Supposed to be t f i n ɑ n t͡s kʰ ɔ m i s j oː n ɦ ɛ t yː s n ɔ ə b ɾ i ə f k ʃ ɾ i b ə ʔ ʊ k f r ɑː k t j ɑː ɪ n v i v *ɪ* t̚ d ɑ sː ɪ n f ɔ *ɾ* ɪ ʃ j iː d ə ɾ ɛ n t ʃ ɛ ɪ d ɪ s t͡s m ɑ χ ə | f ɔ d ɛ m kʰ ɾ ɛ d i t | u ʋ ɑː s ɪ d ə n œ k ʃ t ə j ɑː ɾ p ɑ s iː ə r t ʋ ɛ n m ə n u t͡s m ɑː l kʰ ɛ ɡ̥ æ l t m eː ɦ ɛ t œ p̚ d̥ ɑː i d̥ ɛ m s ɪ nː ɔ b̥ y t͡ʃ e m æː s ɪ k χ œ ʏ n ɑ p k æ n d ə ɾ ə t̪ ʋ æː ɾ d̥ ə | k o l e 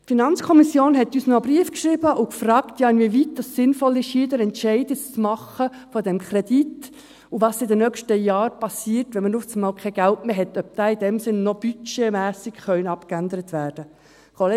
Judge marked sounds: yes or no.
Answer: no, no

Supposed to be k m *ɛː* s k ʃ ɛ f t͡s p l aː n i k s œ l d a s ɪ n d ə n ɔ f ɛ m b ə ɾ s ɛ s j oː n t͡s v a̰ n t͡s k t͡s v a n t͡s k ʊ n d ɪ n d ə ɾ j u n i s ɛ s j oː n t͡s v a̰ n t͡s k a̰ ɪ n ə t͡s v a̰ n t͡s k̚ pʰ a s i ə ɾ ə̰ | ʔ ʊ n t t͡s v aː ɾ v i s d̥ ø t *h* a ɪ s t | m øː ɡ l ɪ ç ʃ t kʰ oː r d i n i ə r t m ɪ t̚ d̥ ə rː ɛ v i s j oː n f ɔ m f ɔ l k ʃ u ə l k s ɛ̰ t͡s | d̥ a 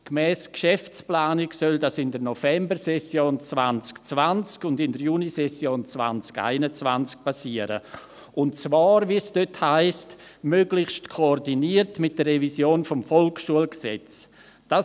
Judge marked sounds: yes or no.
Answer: yes, yes

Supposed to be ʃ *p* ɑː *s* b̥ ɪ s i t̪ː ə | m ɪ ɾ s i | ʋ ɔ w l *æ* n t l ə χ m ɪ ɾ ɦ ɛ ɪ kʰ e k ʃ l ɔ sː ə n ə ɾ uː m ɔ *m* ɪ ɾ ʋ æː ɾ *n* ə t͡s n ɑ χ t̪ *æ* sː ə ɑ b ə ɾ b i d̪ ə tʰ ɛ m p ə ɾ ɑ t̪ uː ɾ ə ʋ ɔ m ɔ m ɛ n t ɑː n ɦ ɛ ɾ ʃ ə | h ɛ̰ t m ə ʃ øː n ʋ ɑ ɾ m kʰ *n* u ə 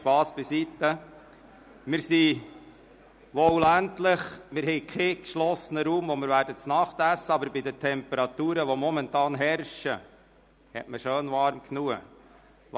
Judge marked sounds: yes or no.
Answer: yes, yes, yes, yes, no, yes, yes

